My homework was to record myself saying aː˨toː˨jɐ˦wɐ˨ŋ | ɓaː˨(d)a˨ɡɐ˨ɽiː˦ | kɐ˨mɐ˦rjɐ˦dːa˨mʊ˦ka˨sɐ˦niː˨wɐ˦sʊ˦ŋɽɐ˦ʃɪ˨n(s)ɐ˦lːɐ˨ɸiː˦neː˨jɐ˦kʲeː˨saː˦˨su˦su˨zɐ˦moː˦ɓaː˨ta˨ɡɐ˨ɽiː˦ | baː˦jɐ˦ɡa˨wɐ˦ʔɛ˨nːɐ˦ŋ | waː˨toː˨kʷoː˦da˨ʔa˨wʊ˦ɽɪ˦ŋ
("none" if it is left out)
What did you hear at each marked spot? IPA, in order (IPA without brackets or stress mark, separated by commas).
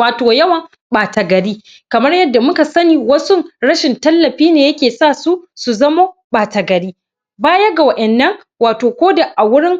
t, t